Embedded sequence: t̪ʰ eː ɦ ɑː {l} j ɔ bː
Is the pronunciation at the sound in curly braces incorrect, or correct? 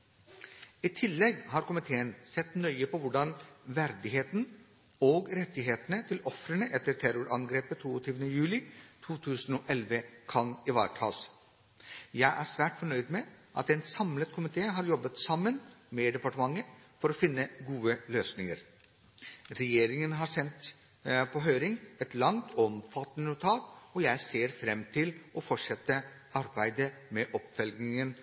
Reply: incorrect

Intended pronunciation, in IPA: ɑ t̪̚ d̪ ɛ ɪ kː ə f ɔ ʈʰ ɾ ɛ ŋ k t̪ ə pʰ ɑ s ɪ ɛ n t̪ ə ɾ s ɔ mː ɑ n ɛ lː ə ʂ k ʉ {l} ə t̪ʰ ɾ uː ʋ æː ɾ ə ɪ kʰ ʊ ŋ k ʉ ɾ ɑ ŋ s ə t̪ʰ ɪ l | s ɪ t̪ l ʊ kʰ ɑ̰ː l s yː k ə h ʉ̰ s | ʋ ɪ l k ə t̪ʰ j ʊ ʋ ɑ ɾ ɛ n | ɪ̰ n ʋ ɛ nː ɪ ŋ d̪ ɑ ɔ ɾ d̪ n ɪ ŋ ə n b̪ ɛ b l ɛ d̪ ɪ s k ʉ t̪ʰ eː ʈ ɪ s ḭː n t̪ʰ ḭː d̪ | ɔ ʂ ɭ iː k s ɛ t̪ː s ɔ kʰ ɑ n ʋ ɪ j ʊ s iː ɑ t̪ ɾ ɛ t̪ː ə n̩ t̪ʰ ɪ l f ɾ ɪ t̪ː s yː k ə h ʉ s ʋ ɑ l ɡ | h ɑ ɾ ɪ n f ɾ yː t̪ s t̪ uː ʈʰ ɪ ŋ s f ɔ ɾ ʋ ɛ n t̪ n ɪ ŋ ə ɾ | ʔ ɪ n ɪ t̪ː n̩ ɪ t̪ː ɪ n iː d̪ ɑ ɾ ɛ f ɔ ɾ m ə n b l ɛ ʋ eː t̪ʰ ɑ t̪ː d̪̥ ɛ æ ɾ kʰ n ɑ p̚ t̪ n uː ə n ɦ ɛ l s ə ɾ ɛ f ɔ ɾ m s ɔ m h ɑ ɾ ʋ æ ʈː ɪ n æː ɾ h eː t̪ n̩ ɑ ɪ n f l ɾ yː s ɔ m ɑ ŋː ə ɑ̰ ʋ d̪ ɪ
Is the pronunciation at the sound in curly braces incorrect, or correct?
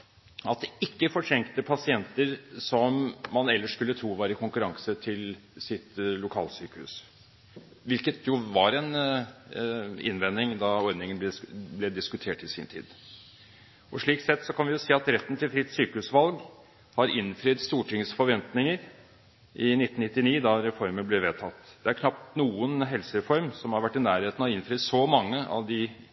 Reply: incorrect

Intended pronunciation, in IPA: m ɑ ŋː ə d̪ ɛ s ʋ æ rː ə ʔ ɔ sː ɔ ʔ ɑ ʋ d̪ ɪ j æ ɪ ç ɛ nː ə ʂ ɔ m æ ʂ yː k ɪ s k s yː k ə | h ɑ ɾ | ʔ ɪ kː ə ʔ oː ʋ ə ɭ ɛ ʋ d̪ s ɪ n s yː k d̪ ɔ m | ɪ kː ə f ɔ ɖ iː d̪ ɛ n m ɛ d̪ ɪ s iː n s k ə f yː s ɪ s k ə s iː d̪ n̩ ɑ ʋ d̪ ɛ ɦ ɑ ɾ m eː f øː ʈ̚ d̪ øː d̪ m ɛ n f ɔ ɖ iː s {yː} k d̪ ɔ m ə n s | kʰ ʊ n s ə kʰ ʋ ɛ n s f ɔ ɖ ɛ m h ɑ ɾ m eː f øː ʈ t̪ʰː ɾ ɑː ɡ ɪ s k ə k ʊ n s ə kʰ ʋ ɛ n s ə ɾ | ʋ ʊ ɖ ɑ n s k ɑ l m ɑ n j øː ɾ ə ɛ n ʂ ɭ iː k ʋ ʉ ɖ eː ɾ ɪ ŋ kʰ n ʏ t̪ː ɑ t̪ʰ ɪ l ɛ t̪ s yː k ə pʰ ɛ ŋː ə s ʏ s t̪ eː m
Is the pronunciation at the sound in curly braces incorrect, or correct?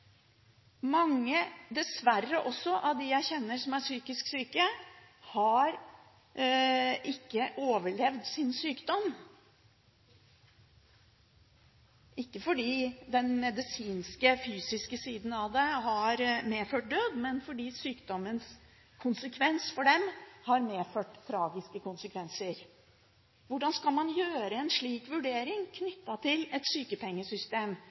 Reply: correct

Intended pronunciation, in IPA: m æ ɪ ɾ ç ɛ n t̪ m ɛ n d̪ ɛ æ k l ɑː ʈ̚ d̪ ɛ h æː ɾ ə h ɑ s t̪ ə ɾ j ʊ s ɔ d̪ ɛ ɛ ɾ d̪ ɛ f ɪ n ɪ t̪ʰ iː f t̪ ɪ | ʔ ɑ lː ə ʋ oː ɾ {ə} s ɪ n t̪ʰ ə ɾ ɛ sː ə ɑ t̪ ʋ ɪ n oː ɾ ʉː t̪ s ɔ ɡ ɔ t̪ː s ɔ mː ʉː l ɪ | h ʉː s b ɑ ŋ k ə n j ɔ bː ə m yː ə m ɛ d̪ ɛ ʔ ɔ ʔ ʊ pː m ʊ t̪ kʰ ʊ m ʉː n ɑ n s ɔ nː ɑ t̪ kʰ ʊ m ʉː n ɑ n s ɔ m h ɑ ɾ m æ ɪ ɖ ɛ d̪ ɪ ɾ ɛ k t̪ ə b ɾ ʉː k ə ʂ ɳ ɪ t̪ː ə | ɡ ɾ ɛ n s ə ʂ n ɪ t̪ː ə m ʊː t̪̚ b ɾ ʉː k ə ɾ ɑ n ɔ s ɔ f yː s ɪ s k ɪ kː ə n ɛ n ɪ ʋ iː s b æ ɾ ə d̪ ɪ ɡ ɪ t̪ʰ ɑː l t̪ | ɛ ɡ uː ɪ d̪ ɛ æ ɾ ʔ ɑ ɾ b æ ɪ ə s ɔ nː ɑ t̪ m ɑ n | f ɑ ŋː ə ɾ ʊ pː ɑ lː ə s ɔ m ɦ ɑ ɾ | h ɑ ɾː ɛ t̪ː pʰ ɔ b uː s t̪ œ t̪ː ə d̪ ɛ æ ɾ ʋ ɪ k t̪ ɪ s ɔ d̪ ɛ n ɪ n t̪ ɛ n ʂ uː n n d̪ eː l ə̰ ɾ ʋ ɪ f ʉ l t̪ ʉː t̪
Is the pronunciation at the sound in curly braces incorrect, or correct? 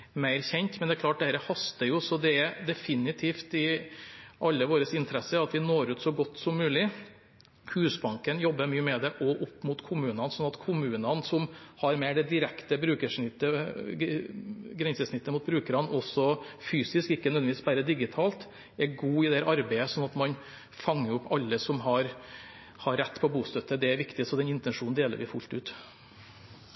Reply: correct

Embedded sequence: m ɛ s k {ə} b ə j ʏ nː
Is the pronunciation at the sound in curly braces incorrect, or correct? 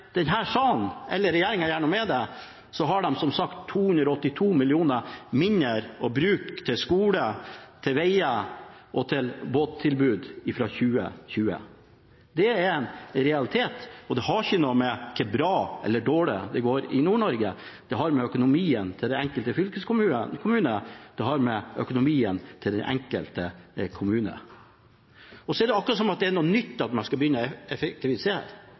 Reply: incorrect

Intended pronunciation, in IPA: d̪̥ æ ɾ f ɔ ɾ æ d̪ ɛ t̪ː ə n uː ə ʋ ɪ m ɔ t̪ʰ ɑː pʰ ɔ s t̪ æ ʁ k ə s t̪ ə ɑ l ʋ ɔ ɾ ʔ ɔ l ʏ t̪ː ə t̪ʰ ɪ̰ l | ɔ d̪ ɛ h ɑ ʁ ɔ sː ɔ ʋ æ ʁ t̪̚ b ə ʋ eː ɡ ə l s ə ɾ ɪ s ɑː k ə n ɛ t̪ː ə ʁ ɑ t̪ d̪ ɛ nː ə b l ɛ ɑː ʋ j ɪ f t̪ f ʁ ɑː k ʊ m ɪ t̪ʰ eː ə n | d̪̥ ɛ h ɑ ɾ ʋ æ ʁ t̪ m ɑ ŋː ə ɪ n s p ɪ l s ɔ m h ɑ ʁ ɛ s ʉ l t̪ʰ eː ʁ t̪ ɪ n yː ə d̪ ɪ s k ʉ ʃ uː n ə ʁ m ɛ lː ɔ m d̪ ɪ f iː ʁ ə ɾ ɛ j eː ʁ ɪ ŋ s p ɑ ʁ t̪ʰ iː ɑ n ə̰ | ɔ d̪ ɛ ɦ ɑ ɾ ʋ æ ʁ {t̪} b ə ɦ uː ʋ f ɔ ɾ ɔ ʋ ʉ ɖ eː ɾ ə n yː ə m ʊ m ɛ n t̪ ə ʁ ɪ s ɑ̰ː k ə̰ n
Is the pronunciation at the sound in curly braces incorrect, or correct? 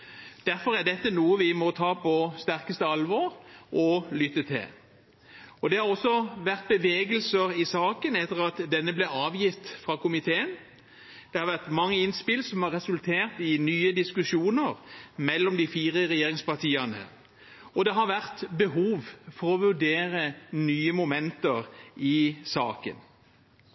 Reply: correct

